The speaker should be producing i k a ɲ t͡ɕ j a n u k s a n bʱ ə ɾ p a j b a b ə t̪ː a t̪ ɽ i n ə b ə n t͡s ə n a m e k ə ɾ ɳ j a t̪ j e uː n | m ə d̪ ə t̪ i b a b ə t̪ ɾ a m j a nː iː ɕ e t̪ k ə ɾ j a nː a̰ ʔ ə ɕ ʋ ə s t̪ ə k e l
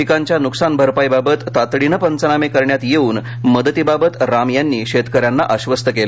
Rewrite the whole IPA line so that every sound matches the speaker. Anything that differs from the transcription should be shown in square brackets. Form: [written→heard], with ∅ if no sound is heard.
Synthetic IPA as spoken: i k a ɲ t͡ɕ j a n u k s a n bʱ ə ɾ p a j b a b ə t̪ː a t̪ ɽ i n ə [b→p] ə n t͡s ə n a m e k ə ɾ ɳ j a t̪ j e uː n | m ə d̪ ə t̪ i b a b ə t̪ ɾ a m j a nː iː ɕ e t̪ k ə ɾ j a nː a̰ ʔ ə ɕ ʋ ə s t̪ ə k e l